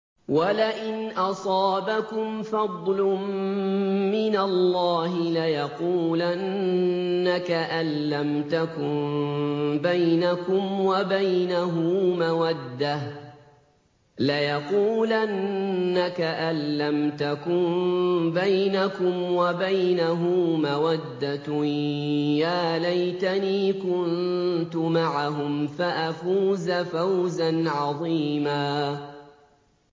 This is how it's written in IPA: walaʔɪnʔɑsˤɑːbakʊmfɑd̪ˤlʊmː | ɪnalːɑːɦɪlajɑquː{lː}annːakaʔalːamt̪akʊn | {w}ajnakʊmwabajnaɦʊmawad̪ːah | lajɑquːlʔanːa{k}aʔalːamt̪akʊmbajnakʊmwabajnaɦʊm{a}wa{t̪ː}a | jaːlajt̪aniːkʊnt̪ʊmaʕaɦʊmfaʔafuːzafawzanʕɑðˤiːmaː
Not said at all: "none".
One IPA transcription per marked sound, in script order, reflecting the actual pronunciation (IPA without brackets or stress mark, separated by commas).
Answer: l, b, k, a, d̪ː